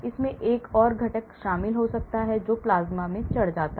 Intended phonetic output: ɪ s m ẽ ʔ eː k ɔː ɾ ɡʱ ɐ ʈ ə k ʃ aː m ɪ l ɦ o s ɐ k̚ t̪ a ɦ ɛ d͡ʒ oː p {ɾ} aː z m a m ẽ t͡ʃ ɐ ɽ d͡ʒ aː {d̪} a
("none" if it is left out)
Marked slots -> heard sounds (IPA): l, t̪

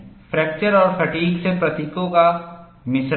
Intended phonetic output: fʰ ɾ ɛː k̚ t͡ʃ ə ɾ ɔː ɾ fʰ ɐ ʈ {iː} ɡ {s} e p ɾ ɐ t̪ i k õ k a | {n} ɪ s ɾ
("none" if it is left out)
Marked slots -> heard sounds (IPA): iː, s, m

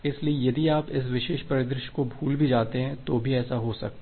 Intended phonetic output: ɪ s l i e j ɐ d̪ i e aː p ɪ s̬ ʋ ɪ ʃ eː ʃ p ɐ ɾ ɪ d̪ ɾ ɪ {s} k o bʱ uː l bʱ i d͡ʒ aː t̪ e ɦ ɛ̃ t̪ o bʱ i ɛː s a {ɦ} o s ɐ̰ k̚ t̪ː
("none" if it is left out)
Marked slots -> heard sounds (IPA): ʃ, ɦ

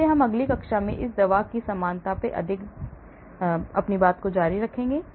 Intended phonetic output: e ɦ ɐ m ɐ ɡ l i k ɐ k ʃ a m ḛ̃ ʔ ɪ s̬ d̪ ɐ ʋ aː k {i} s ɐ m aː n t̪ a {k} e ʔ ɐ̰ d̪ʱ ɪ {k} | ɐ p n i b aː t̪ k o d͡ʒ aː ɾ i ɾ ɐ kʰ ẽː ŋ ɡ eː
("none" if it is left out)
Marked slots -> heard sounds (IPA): i, p, k

